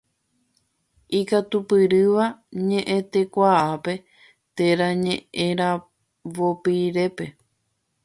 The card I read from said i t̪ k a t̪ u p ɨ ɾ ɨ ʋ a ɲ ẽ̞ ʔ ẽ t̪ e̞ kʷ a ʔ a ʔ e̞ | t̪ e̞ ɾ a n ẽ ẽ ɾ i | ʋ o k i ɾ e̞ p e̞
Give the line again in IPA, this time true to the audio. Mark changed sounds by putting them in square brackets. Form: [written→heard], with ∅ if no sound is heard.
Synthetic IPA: i [t̪→∅] k a t̪ u p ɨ ɾ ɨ ʋ a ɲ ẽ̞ ʔ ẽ t̪ e̞ kʷ a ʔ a [ʔ→p] e̞ | t̪ e̞ ɾ a [n→ɲ] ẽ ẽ ɾ [i→a] | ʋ o [k→p] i ɾ e̞ p e̞